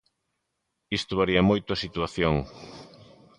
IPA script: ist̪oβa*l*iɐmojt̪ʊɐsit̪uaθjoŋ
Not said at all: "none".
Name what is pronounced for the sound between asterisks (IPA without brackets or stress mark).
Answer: ɾ